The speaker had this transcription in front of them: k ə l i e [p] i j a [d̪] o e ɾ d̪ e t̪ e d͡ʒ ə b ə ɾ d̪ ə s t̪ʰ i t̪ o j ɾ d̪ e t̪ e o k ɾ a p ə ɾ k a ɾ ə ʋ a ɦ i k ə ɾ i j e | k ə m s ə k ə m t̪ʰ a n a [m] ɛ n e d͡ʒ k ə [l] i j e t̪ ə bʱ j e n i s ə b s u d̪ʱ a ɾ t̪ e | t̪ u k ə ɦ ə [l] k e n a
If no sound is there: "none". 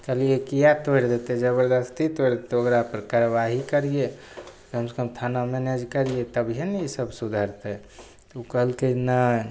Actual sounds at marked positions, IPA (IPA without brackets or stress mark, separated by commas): k, t̪, m, ɾ, l